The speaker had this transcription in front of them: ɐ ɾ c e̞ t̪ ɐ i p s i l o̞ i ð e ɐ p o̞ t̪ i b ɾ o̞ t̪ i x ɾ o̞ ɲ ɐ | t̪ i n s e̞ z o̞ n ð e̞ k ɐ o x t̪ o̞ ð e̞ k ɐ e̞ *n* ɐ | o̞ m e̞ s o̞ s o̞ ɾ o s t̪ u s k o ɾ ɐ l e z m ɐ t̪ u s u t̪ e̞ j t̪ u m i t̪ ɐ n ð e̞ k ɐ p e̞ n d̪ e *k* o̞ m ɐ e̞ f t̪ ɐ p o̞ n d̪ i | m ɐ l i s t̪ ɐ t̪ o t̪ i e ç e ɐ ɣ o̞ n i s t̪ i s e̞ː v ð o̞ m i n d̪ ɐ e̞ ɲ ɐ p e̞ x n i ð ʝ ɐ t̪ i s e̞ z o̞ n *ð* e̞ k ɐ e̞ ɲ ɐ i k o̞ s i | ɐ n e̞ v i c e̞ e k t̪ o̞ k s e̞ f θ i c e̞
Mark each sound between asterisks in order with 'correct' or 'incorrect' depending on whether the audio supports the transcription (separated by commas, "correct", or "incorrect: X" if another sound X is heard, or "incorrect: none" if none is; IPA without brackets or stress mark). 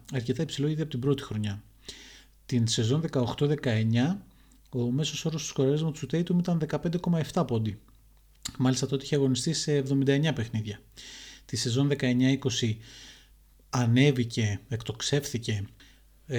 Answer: incorrect: ɲ, correct, correct